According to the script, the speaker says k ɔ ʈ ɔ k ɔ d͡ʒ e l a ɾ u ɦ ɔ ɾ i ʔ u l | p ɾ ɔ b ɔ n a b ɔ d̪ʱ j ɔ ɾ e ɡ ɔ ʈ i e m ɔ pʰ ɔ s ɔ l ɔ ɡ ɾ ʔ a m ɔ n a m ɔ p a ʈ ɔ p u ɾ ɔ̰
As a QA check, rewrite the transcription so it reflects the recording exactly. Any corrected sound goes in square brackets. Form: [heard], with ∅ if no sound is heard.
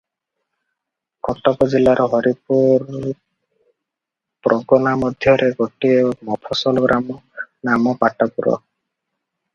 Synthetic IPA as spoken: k ɔ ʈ ɔ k ɔ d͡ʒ [i] l a ɾ [ɔ] ɦ ɔ ɾ i [p] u [ɾ] | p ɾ ɔ [ɡ] ɔ n a [m] ɔ d̪ʱ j ɔ ɾ e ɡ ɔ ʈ i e m ɔ pʰ ɔ s ɔ l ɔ ɡ ɾ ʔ a m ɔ n a m ɔ p a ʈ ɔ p u ɾ ɔ̰